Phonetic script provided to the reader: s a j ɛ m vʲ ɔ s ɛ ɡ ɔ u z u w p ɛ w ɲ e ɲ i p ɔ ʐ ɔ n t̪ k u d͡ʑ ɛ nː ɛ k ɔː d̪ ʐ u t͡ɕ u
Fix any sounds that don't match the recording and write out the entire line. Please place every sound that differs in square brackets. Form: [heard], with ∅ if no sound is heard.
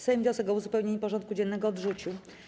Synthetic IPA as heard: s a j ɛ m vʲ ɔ s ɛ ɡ ɔ u z u [∅] p ɛ w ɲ e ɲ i p ɔ ʐ ɔ n t̪ k u d͡ʑ ɛ nː ɛ [ɡ] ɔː d̪ ʐ u t͡ɕ u